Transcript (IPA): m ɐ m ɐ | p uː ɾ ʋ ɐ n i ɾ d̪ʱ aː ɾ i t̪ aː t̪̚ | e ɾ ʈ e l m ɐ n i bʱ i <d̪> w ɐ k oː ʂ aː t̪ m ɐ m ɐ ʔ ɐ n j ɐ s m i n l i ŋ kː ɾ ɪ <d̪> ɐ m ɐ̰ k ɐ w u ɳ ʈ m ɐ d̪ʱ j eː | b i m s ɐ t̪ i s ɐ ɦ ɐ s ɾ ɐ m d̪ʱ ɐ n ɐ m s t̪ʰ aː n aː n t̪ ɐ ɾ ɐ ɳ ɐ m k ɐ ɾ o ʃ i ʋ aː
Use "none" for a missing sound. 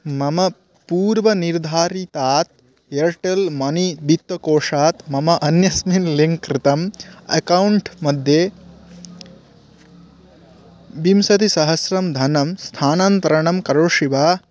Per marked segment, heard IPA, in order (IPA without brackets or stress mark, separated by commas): t̪, t̪